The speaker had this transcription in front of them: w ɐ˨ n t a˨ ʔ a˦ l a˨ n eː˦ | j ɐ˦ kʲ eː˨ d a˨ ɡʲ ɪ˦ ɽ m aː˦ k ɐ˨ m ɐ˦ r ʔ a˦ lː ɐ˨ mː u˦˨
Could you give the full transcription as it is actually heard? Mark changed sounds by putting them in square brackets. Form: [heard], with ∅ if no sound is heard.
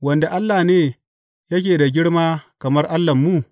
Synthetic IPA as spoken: w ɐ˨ n [d] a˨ ʔ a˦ [lː] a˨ n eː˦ | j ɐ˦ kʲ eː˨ d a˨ ɡʲ ɪ˦ ɽ m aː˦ k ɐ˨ m ɐ˦ r ʔ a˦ lː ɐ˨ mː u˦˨

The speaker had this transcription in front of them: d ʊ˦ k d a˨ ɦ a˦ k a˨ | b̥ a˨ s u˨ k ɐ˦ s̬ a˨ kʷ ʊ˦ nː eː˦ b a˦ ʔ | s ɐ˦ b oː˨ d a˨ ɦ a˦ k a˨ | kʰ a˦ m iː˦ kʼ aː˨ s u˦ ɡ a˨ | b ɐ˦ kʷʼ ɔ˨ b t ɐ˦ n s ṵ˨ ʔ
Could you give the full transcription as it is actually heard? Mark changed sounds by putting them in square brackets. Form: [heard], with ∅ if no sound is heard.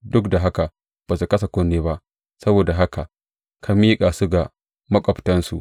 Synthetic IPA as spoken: d ʊ˦ k d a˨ ɦ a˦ k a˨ | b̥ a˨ s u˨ k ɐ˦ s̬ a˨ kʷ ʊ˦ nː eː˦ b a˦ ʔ | s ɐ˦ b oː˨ d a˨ ɦ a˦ k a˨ | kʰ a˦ m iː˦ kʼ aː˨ s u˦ ɡ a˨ | [m] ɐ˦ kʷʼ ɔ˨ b t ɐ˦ n s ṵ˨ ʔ

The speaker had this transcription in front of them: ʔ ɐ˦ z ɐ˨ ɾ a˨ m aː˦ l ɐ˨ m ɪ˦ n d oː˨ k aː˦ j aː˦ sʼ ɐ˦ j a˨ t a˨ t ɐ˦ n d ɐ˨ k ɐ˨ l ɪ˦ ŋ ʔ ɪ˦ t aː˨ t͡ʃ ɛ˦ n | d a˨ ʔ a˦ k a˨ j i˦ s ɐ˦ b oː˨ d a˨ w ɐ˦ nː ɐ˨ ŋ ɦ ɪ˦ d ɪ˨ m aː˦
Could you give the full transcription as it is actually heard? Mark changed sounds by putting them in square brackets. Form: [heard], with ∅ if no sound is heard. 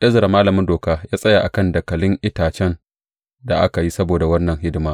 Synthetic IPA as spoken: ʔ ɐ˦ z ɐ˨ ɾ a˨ m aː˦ l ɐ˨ m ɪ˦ n d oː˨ k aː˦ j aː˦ sʼ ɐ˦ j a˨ [ʔ] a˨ [k] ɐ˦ n d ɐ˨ k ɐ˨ l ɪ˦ ŋ ʔ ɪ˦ t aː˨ t͡ʃ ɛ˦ n | d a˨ ʔ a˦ k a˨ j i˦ s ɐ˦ b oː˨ d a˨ w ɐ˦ nː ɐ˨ ŋ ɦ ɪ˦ d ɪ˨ m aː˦

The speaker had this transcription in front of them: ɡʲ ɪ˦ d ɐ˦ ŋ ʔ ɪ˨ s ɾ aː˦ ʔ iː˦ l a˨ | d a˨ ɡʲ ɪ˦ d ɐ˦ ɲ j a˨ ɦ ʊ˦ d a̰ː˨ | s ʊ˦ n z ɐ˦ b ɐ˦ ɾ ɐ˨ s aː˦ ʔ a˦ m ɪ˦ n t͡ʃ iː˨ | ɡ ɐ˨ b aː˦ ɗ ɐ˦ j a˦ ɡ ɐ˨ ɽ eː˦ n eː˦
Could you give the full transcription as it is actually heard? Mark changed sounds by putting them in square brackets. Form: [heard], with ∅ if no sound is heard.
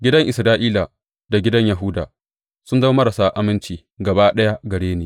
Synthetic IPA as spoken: ɡʲ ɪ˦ d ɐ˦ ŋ ʔ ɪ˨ s ɾ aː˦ ʔ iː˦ l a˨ | d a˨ ɡʲ ɪ˦ d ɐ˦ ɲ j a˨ ɦ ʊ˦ d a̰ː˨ | s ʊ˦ n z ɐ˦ [m] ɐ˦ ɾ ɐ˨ s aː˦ ʔ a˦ m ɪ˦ n t͡ʃ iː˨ | ɡ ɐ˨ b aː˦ ɗ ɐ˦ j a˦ ɡ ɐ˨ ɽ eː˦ n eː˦

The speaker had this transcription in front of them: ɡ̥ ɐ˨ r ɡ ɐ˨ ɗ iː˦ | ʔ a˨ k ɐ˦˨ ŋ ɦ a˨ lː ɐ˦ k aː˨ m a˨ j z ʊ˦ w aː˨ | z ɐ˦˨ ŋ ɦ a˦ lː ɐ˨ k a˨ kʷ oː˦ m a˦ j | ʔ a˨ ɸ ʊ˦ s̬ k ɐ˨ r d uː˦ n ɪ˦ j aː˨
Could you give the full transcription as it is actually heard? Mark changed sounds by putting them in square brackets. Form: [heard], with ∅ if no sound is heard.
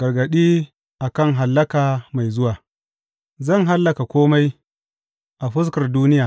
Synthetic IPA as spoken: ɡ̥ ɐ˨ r ɡ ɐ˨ ɗ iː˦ | ʔ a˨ k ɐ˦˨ ŋ ɦ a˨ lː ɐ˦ k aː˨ m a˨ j z ʊ˦ w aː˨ | z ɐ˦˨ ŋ ɦ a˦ lː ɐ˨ k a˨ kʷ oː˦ m a˦ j | ʔ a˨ ɸ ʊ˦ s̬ k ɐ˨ r d uː˦ n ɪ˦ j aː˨

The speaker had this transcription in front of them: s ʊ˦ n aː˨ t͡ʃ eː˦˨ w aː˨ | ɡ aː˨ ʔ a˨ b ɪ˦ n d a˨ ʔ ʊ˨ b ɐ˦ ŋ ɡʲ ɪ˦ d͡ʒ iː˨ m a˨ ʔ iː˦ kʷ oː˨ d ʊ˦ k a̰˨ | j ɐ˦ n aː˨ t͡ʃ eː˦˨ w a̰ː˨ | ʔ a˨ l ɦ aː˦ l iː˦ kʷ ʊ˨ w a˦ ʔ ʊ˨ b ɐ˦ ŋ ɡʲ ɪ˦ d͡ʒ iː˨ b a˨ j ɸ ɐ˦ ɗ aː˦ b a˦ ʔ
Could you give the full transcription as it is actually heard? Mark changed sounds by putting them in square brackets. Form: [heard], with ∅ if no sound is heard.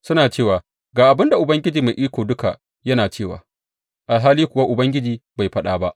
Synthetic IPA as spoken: s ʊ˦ n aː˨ t͡ʃ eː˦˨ w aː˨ | ɡ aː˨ ʔ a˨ b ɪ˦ n d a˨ ʔ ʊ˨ b ɐ˦ ŋ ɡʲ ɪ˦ d͡ʒ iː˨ m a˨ ʔ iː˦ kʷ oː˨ d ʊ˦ k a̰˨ | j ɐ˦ n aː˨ t͡ʃ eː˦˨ w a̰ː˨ | ʔ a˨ l ɦ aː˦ l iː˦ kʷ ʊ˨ w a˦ ʔ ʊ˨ b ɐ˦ ŋ ɡʲ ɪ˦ d͡ʒ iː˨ b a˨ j ɸ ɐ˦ ɗ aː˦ b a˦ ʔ

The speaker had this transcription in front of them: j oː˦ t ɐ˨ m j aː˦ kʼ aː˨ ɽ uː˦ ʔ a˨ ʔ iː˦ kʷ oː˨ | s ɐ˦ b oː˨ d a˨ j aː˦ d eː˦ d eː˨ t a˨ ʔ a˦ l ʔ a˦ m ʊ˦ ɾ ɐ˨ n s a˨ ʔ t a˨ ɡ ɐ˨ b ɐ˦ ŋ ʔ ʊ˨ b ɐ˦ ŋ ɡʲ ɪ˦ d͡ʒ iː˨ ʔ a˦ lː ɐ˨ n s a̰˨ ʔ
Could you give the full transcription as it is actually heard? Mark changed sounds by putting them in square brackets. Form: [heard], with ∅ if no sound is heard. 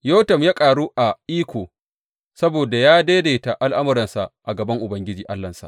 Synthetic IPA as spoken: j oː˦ t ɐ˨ m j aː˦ kʼ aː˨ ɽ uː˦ ʔ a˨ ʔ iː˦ kʷ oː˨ | s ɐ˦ b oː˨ d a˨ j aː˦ d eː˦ d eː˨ t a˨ ʔ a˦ l ʔ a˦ m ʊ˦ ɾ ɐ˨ n s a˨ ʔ [ʔ] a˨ ɡ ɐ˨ b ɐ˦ ŋ ʔ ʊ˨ b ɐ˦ ŋ ɡʲ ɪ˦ d͡ʒ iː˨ ʔ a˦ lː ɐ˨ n s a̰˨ ʔ

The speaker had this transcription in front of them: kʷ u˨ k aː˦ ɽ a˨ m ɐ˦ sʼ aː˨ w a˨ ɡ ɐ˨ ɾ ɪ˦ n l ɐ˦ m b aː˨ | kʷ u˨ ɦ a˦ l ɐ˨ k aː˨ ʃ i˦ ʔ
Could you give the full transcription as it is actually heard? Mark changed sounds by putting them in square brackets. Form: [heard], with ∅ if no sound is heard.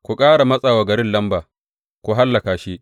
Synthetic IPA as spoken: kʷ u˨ [kʼ] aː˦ ɽ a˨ m ɐ˦ sʼ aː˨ w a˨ ɡ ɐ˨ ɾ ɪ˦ n l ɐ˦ m b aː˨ | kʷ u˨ ɦ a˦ [lː] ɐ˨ k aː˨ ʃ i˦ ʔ

